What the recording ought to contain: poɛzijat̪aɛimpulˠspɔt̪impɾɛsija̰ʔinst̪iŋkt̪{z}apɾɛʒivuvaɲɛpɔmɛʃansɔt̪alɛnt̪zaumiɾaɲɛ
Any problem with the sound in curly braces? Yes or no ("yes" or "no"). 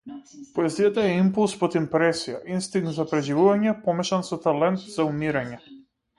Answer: no